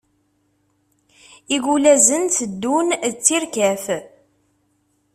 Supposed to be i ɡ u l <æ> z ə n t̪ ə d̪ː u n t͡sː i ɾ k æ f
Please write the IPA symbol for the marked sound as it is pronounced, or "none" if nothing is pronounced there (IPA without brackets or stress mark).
æ